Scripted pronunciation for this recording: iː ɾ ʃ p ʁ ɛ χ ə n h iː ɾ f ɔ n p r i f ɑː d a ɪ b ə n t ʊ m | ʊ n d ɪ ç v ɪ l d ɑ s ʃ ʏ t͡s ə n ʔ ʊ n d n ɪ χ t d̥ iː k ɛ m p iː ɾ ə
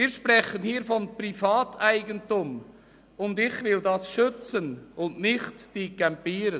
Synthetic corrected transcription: iː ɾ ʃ p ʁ ɛ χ ə n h iː ɾ f ɔ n p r i f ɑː t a ɪ ɡ ə n t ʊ m | ʊ n d ɪ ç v ɪ l d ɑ s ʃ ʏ t͡s ə n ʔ ʊ n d n ɪ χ t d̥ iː k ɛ m p iː ɾ ə